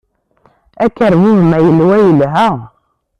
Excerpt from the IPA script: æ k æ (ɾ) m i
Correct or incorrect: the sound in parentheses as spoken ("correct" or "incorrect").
correct